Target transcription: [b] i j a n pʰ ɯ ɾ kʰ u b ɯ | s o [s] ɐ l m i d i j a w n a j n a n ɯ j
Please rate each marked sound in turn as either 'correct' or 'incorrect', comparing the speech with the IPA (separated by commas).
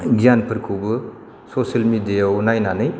incorrect, correct